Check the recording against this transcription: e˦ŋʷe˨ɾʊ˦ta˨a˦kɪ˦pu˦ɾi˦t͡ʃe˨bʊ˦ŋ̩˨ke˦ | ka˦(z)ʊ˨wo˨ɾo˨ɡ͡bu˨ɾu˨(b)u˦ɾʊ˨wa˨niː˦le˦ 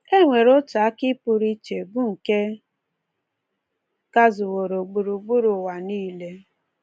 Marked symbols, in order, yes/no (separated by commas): yes, no